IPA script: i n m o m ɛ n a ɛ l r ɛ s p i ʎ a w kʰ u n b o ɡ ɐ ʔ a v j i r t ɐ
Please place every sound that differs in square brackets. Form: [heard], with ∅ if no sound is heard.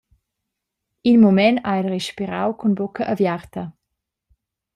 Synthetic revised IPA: i n m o m ɛ n a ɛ l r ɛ [ʃ] p i [ɾ] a w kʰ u n b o [k] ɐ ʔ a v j [a] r t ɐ

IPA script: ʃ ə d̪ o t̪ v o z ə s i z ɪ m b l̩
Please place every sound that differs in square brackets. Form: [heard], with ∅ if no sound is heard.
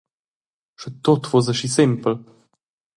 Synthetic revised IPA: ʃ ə [t̪] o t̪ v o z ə [ʃ] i [s] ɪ m [p] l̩

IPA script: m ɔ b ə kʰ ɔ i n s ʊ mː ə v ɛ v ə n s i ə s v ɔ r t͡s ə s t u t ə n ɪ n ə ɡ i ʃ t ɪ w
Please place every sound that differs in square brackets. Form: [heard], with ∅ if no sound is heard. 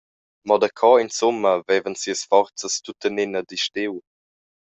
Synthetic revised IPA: m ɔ [d] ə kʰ ɔ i n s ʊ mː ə v ɛ v ə n s i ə s [f] ɔ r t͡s ə s t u t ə n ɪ n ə [d] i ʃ t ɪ w

